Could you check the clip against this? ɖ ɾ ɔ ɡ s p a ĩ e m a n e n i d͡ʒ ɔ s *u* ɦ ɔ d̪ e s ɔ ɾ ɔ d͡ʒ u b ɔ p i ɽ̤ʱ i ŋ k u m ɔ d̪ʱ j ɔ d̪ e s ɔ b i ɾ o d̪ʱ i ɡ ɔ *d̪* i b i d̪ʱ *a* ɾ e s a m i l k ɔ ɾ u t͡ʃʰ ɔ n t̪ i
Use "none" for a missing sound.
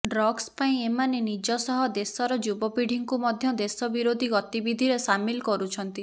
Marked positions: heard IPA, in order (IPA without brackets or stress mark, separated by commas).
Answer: ɔ, t̪, i